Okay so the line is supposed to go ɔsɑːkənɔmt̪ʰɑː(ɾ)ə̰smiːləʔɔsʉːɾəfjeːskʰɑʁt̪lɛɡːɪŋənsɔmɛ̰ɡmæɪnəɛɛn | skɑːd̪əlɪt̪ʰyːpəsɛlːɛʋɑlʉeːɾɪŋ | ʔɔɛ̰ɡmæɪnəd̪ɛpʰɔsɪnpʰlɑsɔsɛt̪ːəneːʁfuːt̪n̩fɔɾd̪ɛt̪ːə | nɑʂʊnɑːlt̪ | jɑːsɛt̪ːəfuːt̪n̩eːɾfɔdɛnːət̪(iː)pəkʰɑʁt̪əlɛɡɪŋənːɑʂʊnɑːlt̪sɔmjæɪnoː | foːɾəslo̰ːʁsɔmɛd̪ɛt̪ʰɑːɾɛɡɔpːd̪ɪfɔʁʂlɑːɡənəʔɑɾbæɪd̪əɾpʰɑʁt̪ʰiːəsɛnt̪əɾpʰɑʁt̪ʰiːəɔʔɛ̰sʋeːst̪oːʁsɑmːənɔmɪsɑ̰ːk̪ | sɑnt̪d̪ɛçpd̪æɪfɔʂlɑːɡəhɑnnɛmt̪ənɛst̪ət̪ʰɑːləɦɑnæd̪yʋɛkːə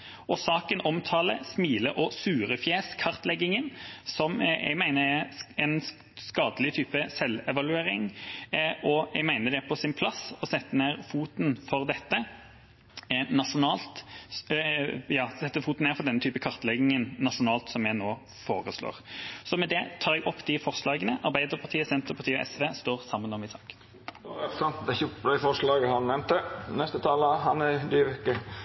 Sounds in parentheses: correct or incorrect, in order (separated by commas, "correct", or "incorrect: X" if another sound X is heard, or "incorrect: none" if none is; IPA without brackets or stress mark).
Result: incorrect: l, incorrect: yː